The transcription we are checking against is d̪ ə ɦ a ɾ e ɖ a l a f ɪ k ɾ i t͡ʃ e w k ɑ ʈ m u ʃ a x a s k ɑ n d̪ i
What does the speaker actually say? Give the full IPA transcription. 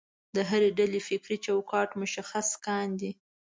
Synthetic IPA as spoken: d̪ ə ɦ a ɾ e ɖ a l e f ɪ k ɾ i t͡ʃ a w k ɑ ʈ m ʊ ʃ a x a s k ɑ n d̪ i